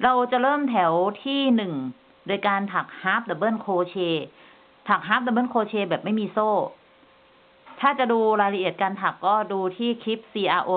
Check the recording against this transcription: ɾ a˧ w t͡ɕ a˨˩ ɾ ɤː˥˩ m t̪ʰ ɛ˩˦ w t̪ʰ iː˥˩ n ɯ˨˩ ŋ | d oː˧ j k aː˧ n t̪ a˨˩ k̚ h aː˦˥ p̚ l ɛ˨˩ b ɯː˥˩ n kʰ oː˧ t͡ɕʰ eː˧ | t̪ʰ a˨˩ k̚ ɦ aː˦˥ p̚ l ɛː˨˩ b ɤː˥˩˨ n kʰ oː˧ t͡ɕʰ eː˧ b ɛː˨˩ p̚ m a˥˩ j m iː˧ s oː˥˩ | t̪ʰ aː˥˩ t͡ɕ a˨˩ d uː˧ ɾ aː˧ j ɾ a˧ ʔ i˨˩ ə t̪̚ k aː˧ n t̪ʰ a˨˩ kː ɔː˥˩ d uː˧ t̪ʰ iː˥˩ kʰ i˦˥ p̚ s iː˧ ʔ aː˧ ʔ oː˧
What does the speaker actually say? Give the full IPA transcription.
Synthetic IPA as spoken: ɾ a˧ w t͡ɕ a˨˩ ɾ ɤː˥˩ m t̪ʰ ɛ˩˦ w t̪ʰ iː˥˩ n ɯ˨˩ ŋ | d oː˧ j k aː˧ n t̪ʰ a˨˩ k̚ h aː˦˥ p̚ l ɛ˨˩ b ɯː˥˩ n kʰ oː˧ t͡ɕʰ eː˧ | t̪ʰ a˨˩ k̚ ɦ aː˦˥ p̚ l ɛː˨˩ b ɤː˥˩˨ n kʰ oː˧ t͡ɕʰ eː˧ b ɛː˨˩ p̚ m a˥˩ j m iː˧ s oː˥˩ | t̪ʰ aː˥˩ t͡ɕ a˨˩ d uː˧ ɾ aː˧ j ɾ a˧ ʔ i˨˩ ə t̪̚ k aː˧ n t̪ʰ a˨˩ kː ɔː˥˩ d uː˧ t̪ʰ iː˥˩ kʰ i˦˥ p̚ s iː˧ ʔ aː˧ ʔ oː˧